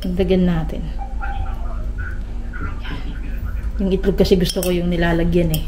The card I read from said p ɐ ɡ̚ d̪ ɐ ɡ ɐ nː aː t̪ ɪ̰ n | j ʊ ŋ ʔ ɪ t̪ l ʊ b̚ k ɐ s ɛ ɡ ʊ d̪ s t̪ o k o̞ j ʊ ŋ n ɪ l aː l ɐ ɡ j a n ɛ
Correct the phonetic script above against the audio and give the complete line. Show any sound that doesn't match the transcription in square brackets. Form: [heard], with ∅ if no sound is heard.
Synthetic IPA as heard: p ɐ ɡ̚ d̪ ɐ ɡ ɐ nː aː t̪ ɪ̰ n | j ʊ ŋ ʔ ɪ t̪ l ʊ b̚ k ɐ s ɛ ɡ ʊ [∅] s t̪ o k o̞ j ʊ ŋ n ɪ l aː l ɐ ɡ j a n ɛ